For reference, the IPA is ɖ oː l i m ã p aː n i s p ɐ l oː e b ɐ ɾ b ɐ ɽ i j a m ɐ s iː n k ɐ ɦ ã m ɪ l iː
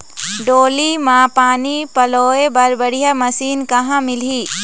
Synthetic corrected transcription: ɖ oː l i m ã p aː n i p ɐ l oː e b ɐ ɾ b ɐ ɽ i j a m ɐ s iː n k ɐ ɦ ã m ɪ l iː

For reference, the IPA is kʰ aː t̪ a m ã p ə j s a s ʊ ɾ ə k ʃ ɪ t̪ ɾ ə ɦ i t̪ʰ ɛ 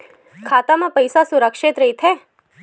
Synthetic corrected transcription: kʰ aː t̪ a m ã p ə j s a s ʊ ɾ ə k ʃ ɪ t̪ ɾ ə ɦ i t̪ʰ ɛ

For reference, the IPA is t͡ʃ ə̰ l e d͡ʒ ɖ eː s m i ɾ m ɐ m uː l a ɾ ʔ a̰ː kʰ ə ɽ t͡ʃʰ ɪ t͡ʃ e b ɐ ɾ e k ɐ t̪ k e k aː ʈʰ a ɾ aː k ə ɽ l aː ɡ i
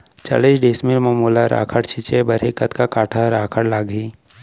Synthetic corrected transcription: t͡ʃ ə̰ l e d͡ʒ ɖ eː s m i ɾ m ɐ m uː l a ɾ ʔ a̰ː kʰ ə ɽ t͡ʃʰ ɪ t͡ʃ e b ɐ ɾ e k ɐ t̪ k a k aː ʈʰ a ɾ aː kʰ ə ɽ l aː ɡ i

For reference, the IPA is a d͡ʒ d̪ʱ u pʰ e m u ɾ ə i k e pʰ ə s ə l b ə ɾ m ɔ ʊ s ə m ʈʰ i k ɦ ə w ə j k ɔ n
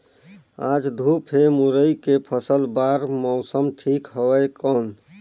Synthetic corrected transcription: a d͡ʒ d̪ʱ u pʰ e m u ɾ ə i k e pʰ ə s ə l b a ɾ m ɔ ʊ s ə m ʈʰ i k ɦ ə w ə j k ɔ n

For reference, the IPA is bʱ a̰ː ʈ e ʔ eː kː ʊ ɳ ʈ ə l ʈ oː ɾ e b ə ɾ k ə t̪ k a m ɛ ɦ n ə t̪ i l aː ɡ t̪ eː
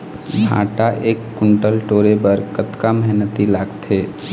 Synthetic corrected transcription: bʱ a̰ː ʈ a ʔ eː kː ʊ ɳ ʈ ə l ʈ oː ɾ e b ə ɾ k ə t̪ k a m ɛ ɦ n ə t̪ i l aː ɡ t̪ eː

